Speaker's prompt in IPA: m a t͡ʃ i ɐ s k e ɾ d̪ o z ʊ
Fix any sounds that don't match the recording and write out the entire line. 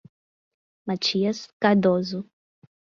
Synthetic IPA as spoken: m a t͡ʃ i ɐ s k a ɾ d̪ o z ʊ